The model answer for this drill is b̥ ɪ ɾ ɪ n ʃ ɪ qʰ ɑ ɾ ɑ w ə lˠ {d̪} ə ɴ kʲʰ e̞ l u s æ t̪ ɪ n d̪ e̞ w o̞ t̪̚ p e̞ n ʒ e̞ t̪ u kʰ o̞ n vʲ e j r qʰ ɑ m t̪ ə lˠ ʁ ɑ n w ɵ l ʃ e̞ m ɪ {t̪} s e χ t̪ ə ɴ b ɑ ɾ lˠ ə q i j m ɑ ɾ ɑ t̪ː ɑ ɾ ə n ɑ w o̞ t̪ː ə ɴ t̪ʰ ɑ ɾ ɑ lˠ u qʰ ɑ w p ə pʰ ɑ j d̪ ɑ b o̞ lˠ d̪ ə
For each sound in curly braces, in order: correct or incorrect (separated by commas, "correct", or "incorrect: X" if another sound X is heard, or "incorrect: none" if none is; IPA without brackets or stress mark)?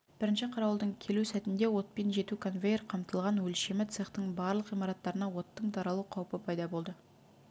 correct, correct